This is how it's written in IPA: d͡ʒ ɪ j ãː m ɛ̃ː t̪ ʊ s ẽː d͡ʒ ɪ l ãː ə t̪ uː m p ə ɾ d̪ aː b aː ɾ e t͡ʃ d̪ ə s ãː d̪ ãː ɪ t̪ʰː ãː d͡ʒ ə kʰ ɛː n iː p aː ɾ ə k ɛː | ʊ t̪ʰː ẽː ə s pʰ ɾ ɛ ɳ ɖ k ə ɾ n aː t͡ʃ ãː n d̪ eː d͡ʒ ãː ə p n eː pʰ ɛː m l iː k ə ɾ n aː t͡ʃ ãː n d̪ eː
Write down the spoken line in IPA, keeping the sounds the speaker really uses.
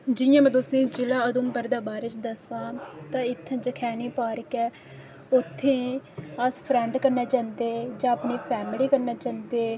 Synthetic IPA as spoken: d͡ʒ ɪ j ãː m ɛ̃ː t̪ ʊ s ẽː d͡ʒ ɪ l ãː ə d̪ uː m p ə ɾ d̪ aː b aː ɾ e t͡ʃ d̪ ə s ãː t̪ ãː ɪ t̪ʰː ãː d͡ʒ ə kʰ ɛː n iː p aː ɾ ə k ɛː | ʊ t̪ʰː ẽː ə s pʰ ɾ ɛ ɳ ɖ k ə ɾ n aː t͡ʃ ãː n d̪ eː d͡ʒ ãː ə p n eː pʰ ɛː m l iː k ə ɾ n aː t͡ʃ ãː n d̪ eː